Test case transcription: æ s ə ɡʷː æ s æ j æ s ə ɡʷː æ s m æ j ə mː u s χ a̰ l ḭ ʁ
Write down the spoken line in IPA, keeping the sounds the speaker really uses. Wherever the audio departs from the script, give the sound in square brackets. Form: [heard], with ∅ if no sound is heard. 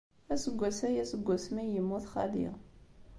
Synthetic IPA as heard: æ s ə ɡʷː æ s æ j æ s ə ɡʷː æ s m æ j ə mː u [θ] χ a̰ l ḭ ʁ